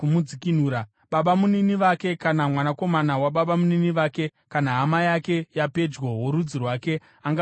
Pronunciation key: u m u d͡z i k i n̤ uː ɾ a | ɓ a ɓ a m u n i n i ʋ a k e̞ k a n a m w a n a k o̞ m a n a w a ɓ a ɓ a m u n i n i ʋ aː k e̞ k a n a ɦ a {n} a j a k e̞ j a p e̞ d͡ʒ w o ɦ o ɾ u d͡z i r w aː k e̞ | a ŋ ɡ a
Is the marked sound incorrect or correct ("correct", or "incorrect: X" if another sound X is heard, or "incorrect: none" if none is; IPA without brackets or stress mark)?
incorrect: m